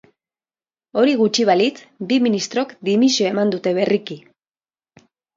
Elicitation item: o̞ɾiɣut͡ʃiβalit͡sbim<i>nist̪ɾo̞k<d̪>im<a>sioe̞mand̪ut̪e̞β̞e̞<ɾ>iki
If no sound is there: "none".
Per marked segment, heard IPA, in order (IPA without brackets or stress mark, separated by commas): i, d̪, i, r